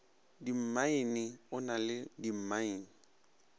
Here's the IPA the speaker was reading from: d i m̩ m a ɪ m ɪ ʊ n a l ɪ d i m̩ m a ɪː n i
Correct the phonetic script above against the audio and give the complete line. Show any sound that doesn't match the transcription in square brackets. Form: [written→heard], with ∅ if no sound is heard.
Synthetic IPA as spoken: d i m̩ m a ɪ [m→n] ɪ ʊ n a l ɪ d i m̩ m a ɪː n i